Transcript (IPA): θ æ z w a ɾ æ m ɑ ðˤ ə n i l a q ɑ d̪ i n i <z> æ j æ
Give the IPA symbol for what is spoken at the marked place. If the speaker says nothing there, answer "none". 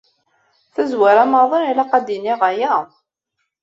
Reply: ʁ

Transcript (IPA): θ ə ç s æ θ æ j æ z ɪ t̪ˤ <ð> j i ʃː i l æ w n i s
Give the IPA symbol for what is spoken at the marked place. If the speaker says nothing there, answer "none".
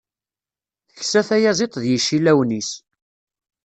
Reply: ð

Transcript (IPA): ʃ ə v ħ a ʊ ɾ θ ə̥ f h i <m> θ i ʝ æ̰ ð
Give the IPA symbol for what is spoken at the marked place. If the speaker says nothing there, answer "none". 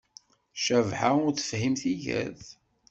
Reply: m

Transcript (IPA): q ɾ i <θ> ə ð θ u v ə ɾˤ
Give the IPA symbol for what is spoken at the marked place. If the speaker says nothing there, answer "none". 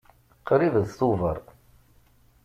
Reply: ð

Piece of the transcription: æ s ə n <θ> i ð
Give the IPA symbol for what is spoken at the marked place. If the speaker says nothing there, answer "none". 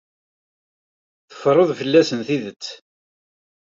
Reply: θ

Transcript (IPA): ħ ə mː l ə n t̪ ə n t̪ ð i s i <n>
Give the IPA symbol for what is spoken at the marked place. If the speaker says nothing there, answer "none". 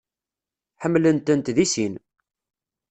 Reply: n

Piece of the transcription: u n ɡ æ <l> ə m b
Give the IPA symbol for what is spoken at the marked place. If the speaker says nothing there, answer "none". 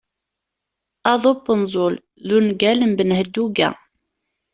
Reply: l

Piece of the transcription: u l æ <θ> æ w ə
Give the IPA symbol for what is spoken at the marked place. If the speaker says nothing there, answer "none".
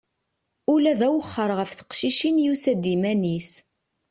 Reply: ð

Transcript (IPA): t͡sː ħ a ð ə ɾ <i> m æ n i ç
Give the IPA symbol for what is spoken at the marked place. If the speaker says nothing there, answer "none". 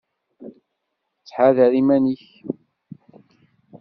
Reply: i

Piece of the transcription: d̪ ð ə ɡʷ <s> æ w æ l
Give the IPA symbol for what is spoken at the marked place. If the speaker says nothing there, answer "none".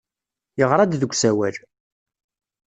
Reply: s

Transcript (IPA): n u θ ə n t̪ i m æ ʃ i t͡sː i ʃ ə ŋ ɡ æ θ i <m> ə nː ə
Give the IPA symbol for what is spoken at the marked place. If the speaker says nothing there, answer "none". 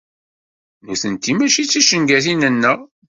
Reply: n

